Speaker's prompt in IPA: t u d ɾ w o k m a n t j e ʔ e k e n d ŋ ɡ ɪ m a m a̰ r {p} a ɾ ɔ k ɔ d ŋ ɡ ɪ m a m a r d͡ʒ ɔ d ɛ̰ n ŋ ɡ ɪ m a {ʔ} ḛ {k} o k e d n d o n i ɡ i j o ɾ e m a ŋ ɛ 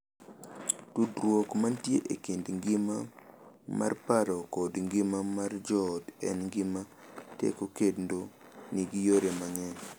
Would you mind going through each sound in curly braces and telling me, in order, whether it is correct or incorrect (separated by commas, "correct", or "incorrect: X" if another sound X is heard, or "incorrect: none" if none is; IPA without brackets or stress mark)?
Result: correct, incorrect: t, correct